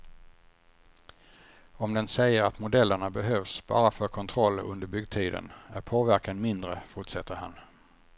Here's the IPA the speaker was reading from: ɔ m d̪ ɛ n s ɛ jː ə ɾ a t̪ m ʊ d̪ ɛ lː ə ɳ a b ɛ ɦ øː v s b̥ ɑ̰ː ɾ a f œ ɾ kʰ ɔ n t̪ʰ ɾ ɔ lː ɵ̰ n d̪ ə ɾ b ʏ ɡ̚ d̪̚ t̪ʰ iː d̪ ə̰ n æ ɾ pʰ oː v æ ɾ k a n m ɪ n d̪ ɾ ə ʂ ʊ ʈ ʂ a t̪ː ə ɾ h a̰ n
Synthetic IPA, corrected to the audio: ɔ m d̪ ɛ n s ɛ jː ə ɾ a t̪ m ʊ d̪ ɛ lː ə ɳ a b ɛ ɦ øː v s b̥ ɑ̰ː ɾ a f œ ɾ kʰ ɔ n t̪ʰ ɾ ɔ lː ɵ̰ n d̪ ə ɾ b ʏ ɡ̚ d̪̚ t̪ʰ iː d̪ ə̰ n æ ɾ pʰ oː v æ ɾ k a n m ɪ n d̪ ɾ ə f ʊ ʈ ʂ ɛ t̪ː ə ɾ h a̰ n